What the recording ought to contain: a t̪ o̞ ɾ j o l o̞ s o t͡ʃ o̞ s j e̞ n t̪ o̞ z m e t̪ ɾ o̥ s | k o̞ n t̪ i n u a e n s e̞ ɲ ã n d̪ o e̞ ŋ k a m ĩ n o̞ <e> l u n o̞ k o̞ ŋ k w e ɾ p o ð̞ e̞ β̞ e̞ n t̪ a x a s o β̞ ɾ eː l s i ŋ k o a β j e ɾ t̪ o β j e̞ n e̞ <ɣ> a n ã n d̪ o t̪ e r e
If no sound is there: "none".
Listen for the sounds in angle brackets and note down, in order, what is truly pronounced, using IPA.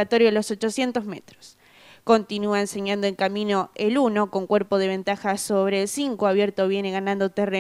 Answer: e, ɣ

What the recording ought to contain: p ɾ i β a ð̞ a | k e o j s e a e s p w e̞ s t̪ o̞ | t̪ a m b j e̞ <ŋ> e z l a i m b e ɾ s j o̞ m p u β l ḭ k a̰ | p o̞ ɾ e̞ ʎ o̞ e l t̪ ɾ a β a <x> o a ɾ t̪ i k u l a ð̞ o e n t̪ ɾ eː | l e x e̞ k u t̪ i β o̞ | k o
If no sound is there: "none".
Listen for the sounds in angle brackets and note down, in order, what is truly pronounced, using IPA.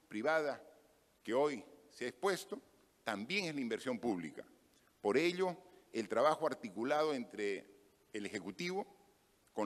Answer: ŋ, x

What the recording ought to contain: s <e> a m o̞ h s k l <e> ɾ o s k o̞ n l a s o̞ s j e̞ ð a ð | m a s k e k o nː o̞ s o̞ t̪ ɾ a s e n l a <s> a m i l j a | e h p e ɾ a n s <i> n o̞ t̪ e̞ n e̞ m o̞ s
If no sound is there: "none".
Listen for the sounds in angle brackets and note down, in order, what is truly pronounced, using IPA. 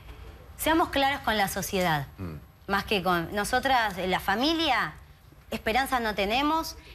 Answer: e, a, f, a

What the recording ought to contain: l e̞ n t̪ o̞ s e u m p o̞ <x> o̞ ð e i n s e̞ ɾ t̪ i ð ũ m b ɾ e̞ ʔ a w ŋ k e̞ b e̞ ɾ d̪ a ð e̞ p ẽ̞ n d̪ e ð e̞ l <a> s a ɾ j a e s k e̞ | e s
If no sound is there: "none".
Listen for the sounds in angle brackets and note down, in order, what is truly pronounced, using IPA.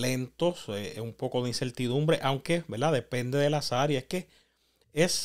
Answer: k, a

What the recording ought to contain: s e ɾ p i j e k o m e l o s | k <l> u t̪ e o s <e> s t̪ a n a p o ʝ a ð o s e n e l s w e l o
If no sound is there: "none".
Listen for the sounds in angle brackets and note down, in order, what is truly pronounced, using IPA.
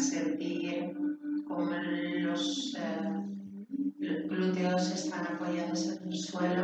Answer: l, e

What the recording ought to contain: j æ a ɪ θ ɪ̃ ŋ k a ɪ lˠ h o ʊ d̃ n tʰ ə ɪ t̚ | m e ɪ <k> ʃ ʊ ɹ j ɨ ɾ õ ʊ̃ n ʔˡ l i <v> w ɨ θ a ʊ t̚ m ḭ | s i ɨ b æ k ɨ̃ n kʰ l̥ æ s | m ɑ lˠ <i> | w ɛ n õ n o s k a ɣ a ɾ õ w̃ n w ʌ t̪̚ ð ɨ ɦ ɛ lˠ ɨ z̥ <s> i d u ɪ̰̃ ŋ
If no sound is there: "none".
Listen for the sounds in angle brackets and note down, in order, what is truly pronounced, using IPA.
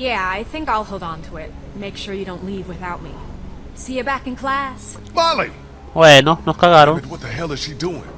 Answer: k, v, i, ʃ

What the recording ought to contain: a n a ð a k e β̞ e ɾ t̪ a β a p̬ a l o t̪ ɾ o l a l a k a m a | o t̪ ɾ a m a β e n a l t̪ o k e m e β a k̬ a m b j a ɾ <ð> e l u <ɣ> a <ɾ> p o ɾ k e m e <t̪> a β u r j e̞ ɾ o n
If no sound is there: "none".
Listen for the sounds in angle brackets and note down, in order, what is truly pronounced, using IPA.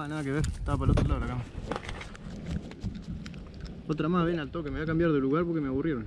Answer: ð, ɣ, ɾ, none

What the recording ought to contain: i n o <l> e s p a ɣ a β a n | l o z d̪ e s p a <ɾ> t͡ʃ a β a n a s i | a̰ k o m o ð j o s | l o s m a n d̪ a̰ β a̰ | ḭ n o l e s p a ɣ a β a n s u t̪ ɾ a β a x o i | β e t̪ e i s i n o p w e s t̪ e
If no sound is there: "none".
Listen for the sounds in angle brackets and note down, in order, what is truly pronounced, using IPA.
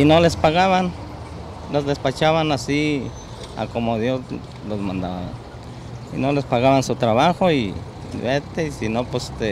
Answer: l, none

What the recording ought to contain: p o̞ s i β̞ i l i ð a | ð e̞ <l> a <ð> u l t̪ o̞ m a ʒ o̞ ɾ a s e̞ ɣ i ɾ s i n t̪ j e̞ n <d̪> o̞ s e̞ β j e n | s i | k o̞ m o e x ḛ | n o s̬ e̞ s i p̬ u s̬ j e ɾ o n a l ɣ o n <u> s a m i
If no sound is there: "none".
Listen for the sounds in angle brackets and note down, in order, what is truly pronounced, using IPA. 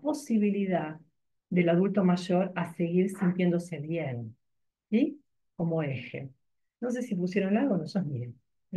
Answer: l, ð, d̪, o

